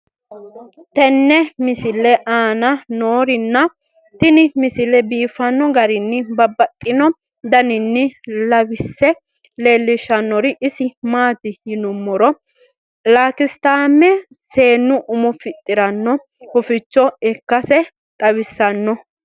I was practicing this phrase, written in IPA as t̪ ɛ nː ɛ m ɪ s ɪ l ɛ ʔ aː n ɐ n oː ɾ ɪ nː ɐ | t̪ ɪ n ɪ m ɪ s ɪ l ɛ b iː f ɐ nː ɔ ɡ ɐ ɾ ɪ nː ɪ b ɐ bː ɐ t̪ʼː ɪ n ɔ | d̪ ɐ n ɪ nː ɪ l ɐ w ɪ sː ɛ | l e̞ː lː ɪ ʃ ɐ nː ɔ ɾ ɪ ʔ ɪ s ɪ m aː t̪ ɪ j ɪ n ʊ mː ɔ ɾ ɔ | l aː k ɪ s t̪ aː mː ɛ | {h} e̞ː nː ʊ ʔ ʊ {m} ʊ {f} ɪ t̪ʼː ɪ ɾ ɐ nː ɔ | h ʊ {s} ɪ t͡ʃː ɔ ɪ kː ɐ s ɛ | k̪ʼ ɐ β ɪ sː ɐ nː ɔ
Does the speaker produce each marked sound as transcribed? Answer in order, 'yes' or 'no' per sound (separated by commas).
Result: no, yes, yes, no